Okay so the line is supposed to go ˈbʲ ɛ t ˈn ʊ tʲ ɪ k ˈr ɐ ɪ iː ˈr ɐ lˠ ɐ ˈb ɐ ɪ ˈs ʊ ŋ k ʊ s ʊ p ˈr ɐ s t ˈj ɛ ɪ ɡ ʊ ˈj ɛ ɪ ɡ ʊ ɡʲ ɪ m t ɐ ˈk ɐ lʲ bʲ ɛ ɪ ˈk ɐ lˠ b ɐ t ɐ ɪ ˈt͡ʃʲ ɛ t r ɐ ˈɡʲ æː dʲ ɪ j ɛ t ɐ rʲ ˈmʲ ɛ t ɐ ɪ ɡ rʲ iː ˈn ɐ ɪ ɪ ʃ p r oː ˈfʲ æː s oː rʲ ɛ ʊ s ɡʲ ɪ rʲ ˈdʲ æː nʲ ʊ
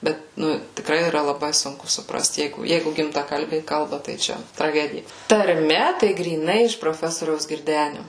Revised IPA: ˈbʲ ɛ t ˈn ʊ tʲ ɪ k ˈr ɐ ɪ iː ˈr ɐ lˠ ɐ ˈb ɐ ɪ ˈs ʊ ŋ k ʊ s ʊ p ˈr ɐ s t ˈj ɛ ɪ ɡ ʊ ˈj ɛ ɪ ɡ ʊ ɡʲ ɪ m t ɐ ˈk ɐ lʲ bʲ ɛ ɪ ˈk ɐ lˠ b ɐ t ɐ ɪ ˈt͡ʃʲ ɛ t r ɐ ˈɡʲ æː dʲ ɪ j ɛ t ɐ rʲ ˈmʲ ɛ t ɐ ɪ ɡ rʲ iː ˈn ɐ ɪ ɪ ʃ p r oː ˈfʲ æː s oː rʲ ɛ ʊ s ɡʲ ɪ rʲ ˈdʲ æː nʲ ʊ